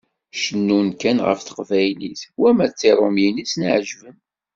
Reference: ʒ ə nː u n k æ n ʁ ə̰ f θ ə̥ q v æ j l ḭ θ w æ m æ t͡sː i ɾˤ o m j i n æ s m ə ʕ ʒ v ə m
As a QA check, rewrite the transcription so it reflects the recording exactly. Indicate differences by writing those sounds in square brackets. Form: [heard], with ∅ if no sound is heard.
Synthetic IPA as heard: [ʃ] ə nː u n k æ n ʁ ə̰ f θ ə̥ q v æ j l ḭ θ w æ m æ t͡sː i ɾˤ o m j i n [i] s [n] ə ʕ ʒ v ə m